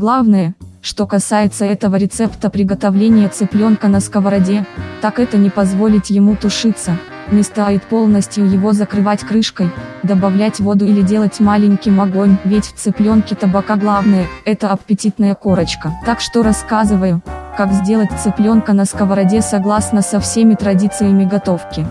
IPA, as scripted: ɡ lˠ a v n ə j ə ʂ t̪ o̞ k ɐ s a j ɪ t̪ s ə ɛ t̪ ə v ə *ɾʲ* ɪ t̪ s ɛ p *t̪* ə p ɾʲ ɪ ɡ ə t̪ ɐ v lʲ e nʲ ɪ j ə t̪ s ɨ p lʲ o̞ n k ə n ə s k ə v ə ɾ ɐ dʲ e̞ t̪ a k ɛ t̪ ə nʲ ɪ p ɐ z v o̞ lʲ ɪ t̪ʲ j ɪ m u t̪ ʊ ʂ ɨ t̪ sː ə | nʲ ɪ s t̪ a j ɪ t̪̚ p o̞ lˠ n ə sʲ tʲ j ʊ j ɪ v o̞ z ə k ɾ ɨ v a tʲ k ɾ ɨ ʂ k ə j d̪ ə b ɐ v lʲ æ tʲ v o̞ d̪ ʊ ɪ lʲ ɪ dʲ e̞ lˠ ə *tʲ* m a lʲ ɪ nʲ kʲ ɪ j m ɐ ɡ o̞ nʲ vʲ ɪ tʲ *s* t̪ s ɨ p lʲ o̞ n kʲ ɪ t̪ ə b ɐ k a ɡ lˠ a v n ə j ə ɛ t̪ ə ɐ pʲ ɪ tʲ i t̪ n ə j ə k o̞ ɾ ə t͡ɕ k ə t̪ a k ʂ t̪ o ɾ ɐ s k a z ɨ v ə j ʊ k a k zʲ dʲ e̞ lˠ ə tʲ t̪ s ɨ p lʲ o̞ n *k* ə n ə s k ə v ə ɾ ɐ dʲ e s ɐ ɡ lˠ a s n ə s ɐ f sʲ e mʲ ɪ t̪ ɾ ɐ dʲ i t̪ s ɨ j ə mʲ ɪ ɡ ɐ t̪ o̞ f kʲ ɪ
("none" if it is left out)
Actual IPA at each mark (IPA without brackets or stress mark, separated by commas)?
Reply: ɾʲ, t̪, tʲ, f, k